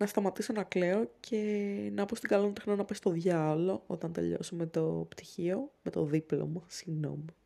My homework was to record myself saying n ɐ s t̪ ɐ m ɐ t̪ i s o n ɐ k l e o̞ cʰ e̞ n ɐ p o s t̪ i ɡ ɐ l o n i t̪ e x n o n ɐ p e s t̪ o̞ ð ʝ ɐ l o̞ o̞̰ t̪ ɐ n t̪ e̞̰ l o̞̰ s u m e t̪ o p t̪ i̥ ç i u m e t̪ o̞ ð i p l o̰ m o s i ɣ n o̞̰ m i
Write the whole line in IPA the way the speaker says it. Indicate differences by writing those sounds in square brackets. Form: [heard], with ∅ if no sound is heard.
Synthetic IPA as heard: n ɐ s t̪ ɐ m ɐ t̪ i s o n ɐ k l e o̞ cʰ e̞ n ɐ p o s t̪ i ɡ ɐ l o n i t̪ e x n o n ɐ p e s t̪ o̞ ð ʝ ɐ l o̞ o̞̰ t̪ ɐ n t̪ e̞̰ [ʎ] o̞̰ s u m e t̪ o p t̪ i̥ ç i [o] m e t̪ o̞ ð i p l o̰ m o s i ɣ n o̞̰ m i